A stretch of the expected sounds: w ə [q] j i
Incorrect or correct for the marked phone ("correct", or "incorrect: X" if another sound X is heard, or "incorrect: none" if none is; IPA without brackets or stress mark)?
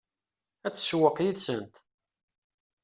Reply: correct